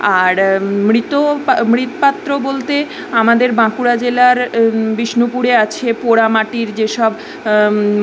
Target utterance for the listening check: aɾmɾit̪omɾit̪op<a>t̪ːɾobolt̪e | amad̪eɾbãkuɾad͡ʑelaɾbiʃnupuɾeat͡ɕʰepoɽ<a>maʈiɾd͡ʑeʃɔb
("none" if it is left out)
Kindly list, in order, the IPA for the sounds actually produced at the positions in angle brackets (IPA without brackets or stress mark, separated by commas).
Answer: a, a